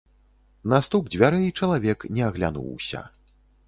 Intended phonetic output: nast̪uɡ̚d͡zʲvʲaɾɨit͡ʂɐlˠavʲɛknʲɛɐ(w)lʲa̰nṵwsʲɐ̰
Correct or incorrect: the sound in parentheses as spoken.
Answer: incorrect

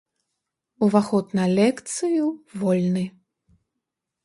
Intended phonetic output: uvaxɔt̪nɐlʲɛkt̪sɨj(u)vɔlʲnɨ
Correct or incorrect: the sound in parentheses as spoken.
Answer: correct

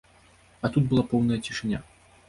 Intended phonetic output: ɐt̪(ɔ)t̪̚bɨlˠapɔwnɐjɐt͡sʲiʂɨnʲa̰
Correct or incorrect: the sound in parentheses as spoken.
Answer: incorrect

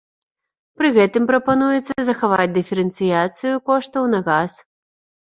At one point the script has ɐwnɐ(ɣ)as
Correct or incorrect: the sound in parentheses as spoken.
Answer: correct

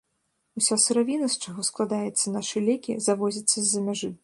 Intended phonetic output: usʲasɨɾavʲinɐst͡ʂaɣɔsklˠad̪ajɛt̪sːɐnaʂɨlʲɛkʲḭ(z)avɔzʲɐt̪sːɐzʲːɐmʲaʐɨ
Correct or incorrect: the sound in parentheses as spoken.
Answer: correct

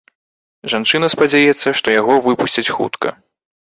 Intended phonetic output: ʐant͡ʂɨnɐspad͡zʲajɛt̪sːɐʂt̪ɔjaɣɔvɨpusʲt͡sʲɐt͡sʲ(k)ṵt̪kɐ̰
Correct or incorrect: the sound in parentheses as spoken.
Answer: incorrect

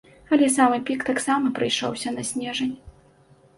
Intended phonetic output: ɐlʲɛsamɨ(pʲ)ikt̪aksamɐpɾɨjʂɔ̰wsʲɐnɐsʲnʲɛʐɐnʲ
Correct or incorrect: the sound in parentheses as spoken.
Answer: correct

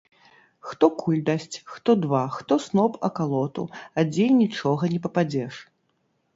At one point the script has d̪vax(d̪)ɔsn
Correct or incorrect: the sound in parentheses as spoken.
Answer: incorrect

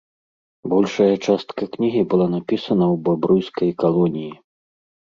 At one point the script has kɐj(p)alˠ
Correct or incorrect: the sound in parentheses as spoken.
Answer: incorrect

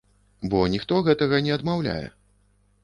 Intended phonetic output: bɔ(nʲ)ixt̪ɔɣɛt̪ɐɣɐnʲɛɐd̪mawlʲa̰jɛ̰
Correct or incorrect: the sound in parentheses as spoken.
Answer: correct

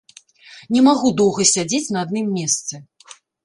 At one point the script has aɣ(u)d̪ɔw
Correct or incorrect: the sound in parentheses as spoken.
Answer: correct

